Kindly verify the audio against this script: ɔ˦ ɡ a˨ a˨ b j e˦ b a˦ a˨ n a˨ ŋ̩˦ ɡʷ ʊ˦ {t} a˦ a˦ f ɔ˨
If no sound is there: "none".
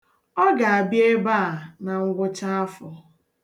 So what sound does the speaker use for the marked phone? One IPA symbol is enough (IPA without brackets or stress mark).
t͡ʃ